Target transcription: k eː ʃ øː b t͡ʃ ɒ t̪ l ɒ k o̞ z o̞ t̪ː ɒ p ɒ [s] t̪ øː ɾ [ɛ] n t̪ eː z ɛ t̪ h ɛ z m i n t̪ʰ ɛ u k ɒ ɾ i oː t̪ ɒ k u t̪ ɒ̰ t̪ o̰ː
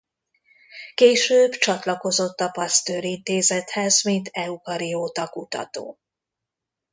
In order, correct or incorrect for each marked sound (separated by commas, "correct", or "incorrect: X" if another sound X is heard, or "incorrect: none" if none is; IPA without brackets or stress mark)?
correct, incorrect: i